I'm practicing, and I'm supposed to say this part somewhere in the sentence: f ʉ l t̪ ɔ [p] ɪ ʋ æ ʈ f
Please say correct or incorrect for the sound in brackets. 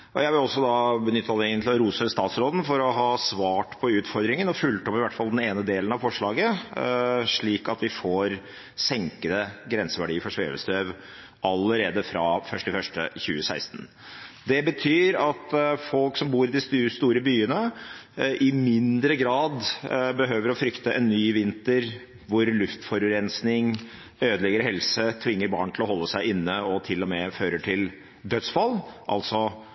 correct